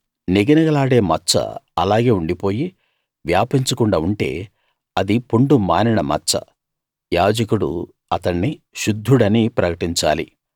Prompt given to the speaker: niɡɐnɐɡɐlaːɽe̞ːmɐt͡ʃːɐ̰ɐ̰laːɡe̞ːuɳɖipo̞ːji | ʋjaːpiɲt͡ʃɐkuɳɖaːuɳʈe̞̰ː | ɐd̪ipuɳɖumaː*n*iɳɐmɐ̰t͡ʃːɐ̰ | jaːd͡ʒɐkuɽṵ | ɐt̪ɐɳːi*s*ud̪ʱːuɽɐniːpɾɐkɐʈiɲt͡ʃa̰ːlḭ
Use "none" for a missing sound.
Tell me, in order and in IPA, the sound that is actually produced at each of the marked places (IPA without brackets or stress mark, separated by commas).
n, ʃ